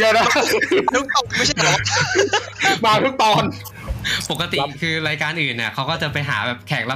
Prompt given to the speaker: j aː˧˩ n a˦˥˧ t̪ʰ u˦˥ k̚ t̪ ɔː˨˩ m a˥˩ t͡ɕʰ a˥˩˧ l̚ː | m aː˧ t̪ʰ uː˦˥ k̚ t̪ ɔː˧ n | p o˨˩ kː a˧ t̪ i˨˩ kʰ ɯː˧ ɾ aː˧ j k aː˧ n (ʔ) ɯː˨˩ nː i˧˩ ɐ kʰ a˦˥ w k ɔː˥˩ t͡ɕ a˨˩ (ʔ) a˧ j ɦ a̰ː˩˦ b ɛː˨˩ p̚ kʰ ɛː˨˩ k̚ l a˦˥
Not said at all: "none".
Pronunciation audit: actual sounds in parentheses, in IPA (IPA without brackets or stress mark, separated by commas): ʔ, p